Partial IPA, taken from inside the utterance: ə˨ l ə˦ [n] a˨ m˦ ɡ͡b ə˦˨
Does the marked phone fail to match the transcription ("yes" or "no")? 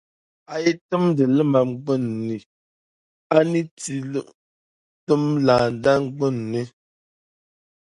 yes